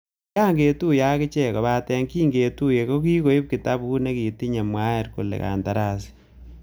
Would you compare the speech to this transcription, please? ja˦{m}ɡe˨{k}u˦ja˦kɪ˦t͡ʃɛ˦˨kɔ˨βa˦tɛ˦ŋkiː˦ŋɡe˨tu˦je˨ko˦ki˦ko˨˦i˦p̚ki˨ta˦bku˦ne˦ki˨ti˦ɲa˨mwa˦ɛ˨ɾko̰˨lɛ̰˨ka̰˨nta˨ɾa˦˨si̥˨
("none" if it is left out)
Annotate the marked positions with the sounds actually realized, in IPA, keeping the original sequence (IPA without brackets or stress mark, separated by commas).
ŋ, t